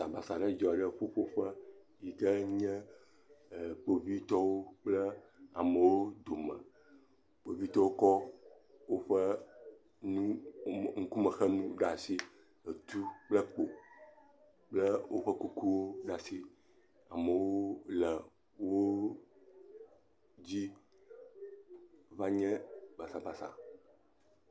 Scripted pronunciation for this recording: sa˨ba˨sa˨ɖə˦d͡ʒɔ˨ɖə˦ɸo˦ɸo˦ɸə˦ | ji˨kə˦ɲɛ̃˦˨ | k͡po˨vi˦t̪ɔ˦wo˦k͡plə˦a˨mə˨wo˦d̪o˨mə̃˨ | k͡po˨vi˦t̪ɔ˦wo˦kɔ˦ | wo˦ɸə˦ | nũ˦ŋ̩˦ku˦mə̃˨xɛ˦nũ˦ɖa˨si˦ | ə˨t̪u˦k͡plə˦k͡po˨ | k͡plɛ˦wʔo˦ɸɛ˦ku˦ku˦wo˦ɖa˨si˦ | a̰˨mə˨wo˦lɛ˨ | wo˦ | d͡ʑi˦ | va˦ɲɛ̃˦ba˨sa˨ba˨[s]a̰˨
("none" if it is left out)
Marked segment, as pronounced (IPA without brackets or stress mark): s